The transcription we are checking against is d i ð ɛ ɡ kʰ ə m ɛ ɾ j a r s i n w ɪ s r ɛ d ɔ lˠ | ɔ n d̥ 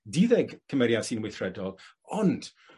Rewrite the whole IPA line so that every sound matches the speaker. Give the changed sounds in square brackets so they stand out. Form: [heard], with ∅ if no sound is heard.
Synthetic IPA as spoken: d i ð ɛ ɡ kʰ ə m ɛ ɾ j a [∅] s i n w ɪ [θ] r ɛ d ɔ lˠ | ɔ n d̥